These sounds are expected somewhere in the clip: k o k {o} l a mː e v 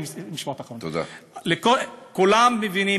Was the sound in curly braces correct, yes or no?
no